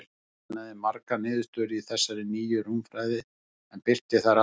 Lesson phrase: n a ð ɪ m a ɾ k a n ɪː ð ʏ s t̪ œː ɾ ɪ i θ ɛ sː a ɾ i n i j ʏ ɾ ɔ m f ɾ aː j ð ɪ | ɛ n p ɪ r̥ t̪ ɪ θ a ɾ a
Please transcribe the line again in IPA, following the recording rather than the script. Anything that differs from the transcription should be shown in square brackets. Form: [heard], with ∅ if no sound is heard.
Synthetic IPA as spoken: n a ð ɪ m a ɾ k a n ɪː ð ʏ s t̪ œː ɾ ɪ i θ ɛ sː a ɾ [ɪ] n [iː] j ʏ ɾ [u] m f ɾ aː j ð ɪ | ɛ n p ɪ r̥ t̪ ɪ θ a ɾ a